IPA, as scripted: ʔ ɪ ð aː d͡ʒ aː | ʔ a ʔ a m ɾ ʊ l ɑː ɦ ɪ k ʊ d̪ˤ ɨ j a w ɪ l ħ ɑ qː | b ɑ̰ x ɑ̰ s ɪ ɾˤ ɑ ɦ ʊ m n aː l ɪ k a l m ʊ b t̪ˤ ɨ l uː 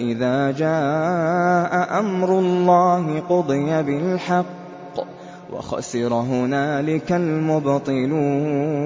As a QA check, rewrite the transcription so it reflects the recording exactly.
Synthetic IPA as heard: ʔ ɪ ð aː d͡ʒ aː | ʔ a ʔ a m ɾ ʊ lː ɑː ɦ ɪ q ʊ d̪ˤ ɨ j a b ɪ l ħ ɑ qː | w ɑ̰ x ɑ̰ s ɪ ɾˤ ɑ ɦ ʊ n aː l ɪ k a l m ʊ b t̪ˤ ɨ l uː